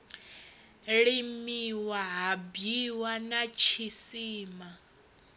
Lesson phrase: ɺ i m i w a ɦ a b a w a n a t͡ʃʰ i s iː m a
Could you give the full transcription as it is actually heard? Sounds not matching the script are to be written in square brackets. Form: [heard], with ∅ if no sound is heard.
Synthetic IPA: ɺ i m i w a ɦ a b [i] w a n a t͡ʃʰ i s iː m a